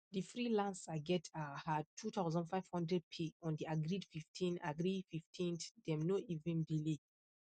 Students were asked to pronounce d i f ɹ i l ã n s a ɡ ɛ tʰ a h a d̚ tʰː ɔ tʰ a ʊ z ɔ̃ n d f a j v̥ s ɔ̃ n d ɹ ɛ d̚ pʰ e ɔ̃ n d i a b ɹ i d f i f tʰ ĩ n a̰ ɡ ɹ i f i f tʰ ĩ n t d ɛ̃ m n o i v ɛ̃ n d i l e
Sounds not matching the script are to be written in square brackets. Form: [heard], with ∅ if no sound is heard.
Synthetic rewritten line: d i f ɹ i l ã n s a ɡ ɛ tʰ a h a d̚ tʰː [u] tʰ a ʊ z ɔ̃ n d f a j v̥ [h] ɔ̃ n d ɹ ɛ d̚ pʰ e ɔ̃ n d i a [ɡ] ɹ i d f i f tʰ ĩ n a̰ ɡ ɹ i f i f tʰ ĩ n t d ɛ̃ m n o i v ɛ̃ n d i l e